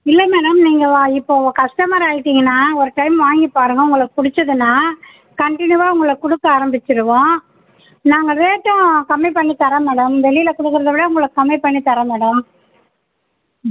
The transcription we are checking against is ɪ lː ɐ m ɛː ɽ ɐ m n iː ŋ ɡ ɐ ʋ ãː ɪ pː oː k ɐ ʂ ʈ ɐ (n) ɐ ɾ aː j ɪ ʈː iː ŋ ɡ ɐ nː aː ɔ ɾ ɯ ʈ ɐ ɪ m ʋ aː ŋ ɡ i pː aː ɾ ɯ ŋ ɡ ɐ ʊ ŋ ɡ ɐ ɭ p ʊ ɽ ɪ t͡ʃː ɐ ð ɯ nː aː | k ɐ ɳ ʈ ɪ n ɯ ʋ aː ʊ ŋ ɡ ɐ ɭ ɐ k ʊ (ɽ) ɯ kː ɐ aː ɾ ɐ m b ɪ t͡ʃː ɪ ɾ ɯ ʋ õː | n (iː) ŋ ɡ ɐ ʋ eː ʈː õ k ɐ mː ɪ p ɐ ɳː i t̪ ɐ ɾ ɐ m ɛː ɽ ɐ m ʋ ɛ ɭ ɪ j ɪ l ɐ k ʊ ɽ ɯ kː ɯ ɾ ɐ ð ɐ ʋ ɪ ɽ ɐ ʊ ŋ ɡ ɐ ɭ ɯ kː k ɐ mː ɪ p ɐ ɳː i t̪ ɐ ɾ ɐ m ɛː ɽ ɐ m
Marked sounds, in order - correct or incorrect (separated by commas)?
incorrect, correct, incorrect